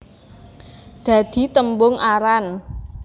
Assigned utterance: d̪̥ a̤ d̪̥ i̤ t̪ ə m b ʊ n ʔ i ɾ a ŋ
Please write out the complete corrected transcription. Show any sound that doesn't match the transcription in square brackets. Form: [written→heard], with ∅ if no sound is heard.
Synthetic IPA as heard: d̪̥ a̤ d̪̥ i̤ t̪ ə m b ʊ [n→ŋ] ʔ [i→a] ɾ a [ŋ→n]